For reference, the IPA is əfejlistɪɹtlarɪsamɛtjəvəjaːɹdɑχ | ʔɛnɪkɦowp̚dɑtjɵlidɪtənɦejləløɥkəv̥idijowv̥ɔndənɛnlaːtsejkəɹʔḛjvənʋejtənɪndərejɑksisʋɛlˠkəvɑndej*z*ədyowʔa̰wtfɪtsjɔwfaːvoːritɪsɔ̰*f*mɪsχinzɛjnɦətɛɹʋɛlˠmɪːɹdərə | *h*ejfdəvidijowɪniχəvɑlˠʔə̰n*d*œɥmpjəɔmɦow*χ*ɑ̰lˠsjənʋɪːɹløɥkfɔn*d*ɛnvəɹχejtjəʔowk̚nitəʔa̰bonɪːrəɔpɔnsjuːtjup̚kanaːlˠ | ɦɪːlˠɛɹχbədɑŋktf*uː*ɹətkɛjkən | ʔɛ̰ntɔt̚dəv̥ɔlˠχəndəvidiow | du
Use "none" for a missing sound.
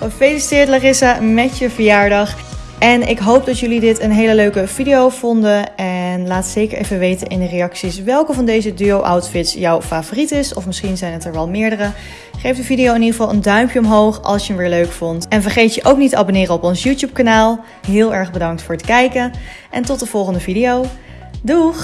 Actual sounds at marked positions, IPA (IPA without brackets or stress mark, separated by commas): z, f, χ, d, χ, t, ʊː